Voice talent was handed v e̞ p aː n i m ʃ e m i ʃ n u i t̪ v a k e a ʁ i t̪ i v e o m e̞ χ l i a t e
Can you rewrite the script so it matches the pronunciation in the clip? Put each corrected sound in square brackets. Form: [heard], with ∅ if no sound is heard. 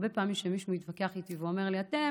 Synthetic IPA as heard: [b] e̞ p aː [m] i m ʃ e m i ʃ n u i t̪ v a k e a [χ] i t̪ i v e o m e̞ [ʁ] l i a t e